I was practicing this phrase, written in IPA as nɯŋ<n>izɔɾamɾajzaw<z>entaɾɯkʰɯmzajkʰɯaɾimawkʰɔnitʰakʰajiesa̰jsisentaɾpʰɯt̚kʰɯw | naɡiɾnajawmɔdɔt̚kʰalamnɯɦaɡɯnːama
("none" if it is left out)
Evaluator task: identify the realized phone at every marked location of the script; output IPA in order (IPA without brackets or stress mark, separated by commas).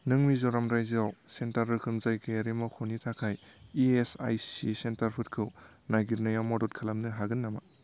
m, s